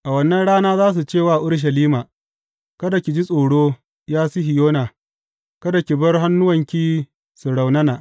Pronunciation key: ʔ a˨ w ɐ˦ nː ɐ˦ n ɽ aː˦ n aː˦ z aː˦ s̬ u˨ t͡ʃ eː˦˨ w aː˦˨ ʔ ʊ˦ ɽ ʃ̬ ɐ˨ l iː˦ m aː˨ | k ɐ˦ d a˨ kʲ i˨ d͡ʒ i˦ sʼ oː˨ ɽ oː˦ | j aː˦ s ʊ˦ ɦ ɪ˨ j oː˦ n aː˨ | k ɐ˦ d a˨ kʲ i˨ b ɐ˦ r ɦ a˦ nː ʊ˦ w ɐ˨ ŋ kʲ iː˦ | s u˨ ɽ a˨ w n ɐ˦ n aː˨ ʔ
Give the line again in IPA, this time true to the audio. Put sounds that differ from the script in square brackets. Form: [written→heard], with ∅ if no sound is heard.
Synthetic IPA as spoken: ʔ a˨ w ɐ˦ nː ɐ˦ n ɽ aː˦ n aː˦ z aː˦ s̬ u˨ t͡ʃ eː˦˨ w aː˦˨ ʔ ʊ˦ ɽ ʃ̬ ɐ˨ l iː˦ m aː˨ | k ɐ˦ d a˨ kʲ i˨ d͡ʒ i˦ sʼ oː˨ ɽ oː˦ | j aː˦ s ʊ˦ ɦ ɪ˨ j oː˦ n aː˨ | k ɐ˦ d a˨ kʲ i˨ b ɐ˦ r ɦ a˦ nː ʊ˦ w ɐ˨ ŋ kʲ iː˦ | s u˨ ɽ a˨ w n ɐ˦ n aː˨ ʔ